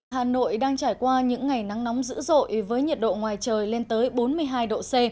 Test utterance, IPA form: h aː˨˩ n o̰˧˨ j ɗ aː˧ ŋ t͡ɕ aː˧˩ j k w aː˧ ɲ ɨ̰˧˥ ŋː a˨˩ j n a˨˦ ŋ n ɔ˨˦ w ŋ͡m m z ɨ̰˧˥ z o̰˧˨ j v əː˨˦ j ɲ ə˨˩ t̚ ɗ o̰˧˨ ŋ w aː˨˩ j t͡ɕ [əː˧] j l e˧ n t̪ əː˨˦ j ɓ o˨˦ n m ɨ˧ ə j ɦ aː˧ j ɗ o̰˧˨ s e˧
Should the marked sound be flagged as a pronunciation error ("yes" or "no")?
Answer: yes